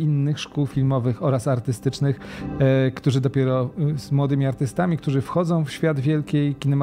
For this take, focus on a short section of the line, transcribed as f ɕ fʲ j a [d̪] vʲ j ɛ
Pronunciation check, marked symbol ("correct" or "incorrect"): correct